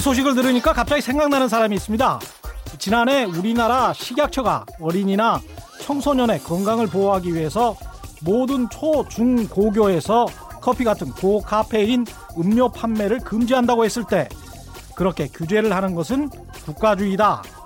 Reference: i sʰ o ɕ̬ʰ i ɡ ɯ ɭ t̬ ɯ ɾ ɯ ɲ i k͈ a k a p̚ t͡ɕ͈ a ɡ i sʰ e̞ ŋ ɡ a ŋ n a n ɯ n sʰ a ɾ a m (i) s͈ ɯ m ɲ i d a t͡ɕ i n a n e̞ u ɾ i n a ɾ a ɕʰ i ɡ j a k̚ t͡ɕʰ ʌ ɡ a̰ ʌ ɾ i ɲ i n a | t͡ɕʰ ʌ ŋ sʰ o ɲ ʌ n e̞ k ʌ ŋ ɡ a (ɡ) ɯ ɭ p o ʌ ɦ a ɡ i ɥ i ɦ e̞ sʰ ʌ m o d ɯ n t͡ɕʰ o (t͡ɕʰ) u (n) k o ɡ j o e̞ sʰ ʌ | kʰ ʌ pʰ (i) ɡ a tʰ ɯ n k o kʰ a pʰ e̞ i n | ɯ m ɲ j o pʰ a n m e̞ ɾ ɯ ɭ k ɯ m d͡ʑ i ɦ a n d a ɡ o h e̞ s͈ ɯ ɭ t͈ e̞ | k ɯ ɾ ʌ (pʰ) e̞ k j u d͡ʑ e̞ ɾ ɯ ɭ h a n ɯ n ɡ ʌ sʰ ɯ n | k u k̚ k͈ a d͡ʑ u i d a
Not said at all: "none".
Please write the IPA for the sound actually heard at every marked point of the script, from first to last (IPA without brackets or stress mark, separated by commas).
iː, ŋ, t͡ɕ, ŋ, i, kʰ